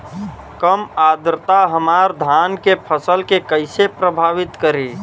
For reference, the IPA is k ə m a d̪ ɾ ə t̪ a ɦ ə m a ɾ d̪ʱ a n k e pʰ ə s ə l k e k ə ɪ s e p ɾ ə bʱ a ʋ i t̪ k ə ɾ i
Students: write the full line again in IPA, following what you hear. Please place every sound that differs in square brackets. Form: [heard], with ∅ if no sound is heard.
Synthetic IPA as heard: k ə m a d̪ ɾ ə t̪ a ɦ ə m a ɾ d̪ʱ a n k e pʰ ə s ə l k e k ə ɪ s e p ɾ ə bʱ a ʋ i t̪ k ə ɾ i